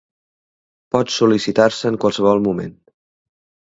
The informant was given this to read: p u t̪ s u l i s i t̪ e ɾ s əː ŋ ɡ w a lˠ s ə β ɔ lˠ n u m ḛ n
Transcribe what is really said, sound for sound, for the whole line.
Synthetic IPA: p ɔ t̪ s u l i s i t̪ a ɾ s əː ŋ k w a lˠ s ə β ɔ lˠ m u m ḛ n